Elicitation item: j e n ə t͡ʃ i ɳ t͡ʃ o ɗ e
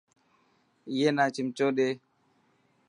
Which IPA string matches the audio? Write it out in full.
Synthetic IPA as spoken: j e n a t͡ʃ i m t͡ʃ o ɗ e